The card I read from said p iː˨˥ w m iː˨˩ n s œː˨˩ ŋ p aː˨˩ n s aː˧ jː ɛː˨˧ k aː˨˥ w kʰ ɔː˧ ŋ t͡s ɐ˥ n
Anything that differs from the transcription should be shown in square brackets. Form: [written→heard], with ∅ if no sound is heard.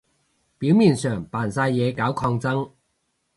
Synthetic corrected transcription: p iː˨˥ w m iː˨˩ n s œː˨˩ ŋ p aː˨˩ n s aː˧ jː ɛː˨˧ k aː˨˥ w kʰ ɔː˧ ŋ t͡s ɐ˥ [n→ŋ]